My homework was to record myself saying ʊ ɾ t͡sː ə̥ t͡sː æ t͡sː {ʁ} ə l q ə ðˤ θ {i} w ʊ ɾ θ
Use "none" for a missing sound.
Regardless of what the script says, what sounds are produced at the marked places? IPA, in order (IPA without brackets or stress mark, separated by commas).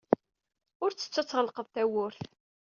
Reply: ʁ, æ